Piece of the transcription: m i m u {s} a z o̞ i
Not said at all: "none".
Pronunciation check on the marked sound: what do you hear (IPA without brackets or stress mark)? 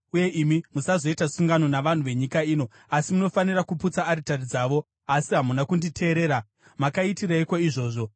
s